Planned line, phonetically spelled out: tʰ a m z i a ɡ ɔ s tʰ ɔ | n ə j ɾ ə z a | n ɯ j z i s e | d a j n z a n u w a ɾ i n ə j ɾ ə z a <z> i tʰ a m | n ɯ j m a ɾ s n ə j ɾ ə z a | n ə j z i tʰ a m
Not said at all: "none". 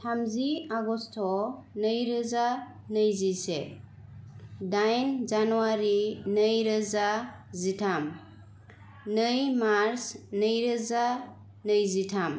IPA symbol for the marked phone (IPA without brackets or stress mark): z